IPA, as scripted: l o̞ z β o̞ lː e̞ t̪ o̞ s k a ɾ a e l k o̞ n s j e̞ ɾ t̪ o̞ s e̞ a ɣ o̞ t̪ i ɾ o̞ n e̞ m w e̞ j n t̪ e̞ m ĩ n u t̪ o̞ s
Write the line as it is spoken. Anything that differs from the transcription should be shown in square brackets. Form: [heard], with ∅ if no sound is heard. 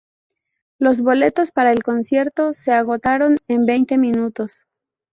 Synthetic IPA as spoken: l o̞ z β o̞ [l] e̞ t̪ o̞ s [p] a ɾ a e l k o̞ n s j e̞ ɾ t̪ o̞ s e̞ a ɣ o̞ t̪ [a] ɾ o̞ n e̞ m [b] e̞ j n t̪ e̞ m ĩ n u t̪ o̞ s

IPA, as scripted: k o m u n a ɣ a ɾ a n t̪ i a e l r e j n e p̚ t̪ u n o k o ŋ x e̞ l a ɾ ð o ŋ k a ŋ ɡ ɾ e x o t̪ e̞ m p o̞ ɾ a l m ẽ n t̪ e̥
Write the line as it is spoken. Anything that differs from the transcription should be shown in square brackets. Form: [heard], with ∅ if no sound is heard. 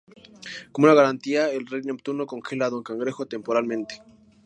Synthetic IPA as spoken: k o m u n a ɣ a ɾ a n t̪ i a e l r e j n e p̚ t̪ u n o k o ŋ x e̞ l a [∅] ð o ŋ k a ŋ ɡ ɾ e x o t̪ e̞ m p o̞ ɾ a l m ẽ n t̪ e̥

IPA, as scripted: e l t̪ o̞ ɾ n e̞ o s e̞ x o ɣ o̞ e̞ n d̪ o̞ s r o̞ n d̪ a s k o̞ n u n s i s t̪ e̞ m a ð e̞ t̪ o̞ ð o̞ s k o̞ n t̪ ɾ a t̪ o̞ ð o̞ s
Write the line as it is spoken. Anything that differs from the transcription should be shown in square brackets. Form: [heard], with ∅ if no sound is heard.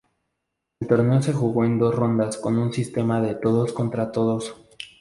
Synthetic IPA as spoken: e l t̪ o̞ ɾ n e̞ o s e̞ x [u] ɣ o̞ e̞ n d̪ o̞ s r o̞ n d̪ a s k o̞ n u n s i s t̪ e̞ m a ð e̞ t̪ o̞ ð o̞ s k o̞ n t̪ ɾ a t̪ o̞ ð o̞ s

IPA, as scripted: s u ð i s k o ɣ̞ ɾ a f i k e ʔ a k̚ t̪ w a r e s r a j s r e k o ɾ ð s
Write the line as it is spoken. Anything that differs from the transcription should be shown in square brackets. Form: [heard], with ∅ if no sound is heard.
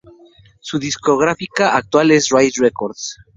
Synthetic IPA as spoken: s u ð i s k o ɣ̞ ɾ a f i k [a] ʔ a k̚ t̪ w a [l] e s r a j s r e k o ɾ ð s

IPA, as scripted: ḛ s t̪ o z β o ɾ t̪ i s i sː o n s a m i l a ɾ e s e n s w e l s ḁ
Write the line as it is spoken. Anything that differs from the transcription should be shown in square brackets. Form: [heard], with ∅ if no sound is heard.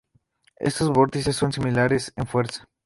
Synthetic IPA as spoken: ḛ s t̪ o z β o ɾ t̪ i s [e] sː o n s [i] m i l a ɾ e s e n [f] w e [ɾ] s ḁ

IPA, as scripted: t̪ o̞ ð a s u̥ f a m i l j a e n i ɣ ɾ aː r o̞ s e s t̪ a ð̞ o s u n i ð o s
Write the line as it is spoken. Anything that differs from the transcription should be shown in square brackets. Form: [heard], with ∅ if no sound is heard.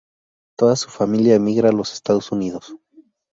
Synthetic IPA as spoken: t̪ o̞ ð a s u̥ f a m i l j a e [m] i ɣ ɾ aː [l] o̞ s e s t̪ a ð̞ o s u n i ð o s

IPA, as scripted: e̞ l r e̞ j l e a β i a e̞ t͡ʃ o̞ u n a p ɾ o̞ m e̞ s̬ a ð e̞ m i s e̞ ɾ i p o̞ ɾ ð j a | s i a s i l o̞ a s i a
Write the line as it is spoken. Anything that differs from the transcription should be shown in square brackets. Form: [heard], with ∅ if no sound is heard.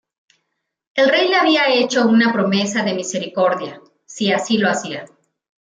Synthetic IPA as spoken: e̞ l r e̞ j l e a β i a e̞ t͡ʃ o̞ u n a p ɾ o̞ m e̞ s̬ a ð e̞ m i s e̞ ɾ i [k] o̞ ɾ ð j a | s i a s i l o̞ a s i a

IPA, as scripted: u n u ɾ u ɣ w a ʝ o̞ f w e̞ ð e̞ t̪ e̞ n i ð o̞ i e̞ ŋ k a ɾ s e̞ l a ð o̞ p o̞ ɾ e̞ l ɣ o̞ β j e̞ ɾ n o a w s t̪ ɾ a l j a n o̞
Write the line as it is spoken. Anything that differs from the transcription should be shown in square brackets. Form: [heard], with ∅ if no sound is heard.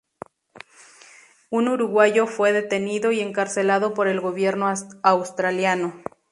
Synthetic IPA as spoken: u n u ɾ u ɣ w a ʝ o̞ f w e̞ ð e̞ t̪ e̞ n i ð o̞ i e̞ ŋ k a ɾ s e̞ l a ð o̞ p o̞ ɾ e̞ l ɣ o̞ β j e̞ ɾ n o a w s t̪ ɾ a l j a n o̞

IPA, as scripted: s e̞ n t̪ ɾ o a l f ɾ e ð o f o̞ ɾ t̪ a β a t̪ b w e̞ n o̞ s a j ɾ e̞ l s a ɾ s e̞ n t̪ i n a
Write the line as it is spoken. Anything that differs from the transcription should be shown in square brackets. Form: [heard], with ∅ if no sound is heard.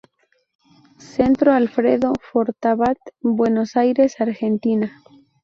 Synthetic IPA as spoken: s e̞ n t̪ ɾ o a l f ɾ e ð o f o̞ ɾ t̪ a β a t̪ b w e̞ n o̞ s a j ɾ e̞ [∅] s a ɾ [x] e̞ n t̪ i n a

